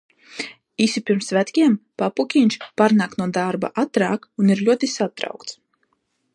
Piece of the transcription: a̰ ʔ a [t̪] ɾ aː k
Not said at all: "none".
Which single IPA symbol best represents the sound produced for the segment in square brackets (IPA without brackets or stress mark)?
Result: t̪